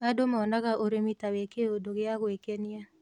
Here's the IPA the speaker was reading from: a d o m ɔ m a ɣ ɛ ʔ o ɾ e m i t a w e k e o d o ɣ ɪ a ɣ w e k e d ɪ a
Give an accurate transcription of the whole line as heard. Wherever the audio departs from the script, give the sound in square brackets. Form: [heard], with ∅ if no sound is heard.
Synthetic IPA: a d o m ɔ [n] a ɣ [a] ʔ o ɾ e m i t a w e k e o d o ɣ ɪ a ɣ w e k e [n] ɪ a